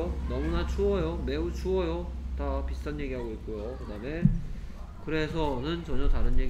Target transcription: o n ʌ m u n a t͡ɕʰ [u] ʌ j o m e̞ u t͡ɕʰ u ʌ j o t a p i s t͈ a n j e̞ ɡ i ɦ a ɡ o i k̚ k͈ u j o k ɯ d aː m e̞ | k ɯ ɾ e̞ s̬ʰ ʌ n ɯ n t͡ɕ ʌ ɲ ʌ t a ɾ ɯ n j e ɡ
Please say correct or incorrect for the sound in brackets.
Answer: correct